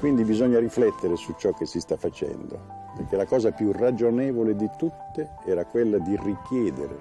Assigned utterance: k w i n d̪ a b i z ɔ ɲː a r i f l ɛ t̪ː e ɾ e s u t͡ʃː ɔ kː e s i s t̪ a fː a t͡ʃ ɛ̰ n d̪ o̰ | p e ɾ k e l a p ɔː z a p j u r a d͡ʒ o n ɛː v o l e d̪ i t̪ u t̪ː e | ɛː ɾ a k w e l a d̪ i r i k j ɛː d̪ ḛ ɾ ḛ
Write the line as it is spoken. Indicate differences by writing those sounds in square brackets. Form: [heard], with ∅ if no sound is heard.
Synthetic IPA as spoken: k w i n d̪ [i] b i z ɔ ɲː a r i f l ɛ t̪ː e ɾ e s u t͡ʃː ɔ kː e s i s t̪ a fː a t͡ʃ ɛ̰ n d̪ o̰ | p e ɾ k e l a [k] ɔː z a p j u r a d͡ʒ o n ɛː v o l e d̪ i t̪ u t̪ː e | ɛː ɾ a k w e [lː] a d̪ i r i k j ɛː d̪ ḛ ɾ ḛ

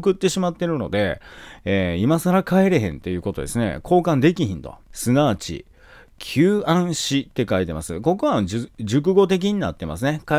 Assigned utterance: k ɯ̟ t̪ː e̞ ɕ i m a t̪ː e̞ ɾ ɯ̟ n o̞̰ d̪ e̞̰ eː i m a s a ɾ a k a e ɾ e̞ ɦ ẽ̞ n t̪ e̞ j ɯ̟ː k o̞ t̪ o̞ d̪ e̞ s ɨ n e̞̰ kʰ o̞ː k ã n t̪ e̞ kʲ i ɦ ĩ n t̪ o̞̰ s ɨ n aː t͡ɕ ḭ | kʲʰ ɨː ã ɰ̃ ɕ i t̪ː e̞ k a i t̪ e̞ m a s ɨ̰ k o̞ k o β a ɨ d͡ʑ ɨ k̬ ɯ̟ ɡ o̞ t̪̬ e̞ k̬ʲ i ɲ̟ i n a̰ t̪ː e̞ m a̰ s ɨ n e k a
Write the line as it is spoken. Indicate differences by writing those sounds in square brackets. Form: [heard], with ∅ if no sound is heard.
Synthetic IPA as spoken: k ɯ̟ t̪ː e̞ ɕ i m a t̪ː e̞ ɾ ɯ̟ n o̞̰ d̪ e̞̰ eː i m a s a ɾ a k a e ɾ e̞ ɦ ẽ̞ n t̪ e̞ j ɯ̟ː k o̞ t̪ o̞ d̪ e̞ s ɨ n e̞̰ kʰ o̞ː k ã n [d̪] e̞ kʲ i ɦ ĩ n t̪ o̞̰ s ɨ n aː t͡ɕ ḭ | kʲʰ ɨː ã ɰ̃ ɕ i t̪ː e̞ k a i t̪ e̞ m a s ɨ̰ k o̞ k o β a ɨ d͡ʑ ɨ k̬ ɯ̟ ɡ o̞ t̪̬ e̞ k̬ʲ i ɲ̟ i n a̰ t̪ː e̞ m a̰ s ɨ n e k a

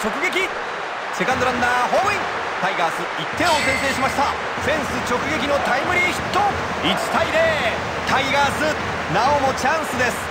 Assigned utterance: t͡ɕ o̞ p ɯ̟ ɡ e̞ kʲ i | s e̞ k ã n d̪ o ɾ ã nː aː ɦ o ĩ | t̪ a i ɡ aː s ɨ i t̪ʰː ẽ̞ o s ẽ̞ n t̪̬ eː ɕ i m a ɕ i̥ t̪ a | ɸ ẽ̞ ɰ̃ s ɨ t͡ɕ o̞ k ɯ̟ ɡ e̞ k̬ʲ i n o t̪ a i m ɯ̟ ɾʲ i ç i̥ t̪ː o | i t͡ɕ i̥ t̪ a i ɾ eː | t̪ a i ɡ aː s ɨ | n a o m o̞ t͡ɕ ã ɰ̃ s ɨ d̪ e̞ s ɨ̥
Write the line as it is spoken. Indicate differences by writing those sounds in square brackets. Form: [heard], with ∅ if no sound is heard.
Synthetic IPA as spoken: t͡ɕ o̞ [k] ɯ̟ ɡ e̞ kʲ i | s e̞ k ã n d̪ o ɾ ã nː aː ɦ o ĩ | t̪ a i ɡ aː s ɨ i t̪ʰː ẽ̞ o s ẽ̞ n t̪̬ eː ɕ i m a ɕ i̥ t̪ a | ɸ ẽ̞ ɰ̃ s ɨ t͡ɕ o̞ k ɯ̟ ɡ e̞ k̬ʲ i n o t̪ a i m ɯ̟ ɾʲ i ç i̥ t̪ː o | i t͡ɕ i̥ t̪ a i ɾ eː | t̪ a i ɡ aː s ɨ | n a o m o̞ t͡ɕ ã ɰ̃ s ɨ d̪ e̞ s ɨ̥

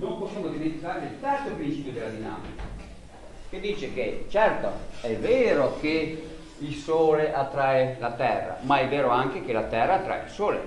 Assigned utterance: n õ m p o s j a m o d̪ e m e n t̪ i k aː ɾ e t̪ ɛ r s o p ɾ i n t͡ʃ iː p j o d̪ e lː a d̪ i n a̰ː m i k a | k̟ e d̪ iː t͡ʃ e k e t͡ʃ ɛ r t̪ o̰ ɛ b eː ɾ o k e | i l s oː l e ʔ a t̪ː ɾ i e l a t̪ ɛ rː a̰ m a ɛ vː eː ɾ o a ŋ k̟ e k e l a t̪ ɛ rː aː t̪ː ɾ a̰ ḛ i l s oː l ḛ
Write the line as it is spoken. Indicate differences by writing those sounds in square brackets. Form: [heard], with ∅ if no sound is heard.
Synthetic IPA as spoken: n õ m p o s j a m o d̪ [i] m e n t̪ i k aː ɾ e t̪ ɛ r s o p ɾ i n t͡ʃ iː p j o d̪ e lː a d̪ i n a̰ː m i k a | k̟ e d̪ iː t͡ʃ e k e t͡ʃ ɛ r t̪ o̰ ɛ [v] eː ɾ o k e | i l s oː l e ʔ a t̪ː ɾ [a] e l a t̪ ɛ rː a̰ m a ɛ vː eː ɾ o a ŋ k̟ e k e l a t̪ ɛ rː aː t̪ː ɾ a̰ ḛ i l s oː l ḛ

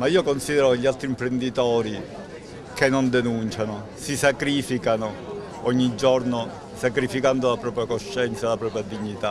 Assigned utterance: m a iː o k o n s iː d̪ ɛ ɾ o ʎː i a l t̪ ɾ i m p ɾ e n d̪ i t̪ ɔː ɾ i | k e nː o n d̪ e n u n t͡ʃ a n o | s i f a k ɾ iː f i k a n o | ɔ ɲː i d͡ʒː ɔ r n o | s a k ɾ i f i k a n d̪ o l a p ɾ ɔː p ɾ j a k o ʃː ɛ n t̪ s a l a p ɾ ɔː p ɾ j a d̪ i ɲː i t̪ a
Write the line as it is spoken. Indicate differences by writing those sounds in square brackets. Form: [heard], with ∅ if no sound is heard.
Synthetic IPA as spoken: m a iː o k o n s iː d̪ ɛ ɾ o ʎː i a l t̪ ɾ i m p ɾ e n d̪ i t̪ ɔː ɾ i | k e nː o n d̪ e n u n t͡ʃ a n o | s i [s] a k ɾ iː f i k a n o | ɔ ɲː i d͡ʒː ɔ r n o | s a k ɾ i f i k a n d̪ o l a p ɾ ɔː p ɾ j a k o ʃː ɛ n t̪ s a l a p ɾ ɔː p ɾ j a d̪ i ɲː i t̪ a

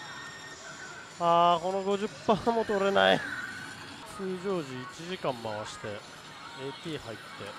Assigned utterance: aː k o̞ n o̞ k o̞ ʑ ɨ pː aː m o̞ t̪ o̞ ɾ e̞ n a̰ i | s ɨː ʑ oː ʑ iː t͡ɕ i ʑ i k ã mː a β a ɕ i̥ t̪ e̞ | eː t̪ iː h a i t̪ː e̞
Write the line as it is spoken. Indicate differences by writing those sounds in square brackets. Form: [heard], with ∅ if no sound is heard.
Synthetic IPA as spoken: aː k o̞ n o̞ [ɡ] o̞ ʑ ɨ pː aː m o̞ t̪ o̞ ɾ e̞ n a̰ i | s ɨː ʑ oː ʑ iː t͡ɕ i ʑ i k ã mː a β a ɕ i̥ t̪ e̞ | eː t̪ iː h a i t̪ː e̞

